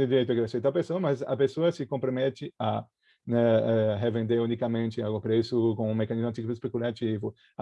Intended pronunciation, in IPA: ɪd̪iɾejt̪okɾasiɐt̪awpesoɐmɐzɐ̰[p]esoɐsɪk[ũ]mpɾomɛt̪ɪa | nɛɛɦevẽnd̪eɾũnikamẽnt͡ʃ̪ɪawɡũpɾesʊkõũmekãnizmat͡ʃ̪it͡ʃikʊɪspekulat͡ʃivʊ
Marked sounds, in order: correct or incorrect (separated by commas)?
correct, incorrect